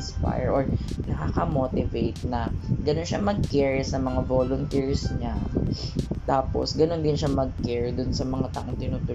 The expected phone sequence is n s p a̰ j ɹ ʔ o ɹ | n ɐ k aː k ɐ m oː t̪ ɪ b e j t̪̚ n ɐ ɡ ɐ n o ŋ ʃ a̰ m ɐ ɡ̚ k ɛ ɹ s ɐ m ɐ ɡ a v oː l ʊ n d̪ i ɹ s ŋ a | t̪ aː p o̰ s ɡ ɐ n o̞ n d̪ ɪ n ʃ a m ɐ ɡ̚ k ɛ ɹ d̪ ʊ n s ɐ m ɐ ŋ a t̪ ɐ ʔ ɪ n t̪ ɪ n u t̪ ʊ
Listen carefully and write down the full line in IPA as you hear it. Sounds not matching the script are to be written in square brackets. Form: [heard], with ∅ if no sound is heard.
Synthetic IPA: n s p a̰ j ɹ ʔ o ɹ | n ɐ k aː k ɐ m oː t̪ ɪ [v] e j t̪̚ n ɐ ɡ ɐ n o [n] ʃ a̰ m ɐ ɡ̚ k ɛ ɹ s ɐ m ɐ [ŋ] a v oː l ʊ n [t̪] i ɹ s [ɲ] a | t̪ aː p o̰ s ɡ ɐ n o̞ n d̪ ɪ n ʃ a m ɐ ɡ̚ k ɛ ɹ d̪ ʊ n s ɐ m ɐ ŋ a t̪ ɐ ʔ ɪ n t̪ ɪ n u t̪ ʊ